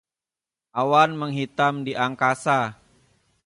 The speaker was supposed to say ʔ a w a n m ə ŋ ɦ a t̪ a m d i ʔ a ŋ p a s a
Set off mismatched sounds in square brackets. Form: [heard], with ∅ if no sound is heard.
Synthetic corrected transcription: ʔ a w a n m ə ŋ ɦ [i] t̪ a m d i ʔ a ŋ [k] a s a